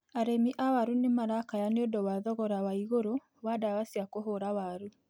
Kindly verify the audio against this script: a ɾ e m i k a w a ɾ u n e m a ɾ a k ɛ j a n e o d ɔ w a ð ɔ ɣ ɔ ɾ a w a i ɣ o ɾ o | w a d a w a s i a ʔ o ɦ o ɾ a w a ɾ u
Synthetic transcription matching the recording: a ɾ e m i ʔ a w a ɾ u n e m a ɾ a k a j a n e o d ɔ w a ð ɔ ɣ ɔ ɾ a w a i ɣ o ɾ o | w a d a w a s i a k o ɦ o ɾ a w a ɾ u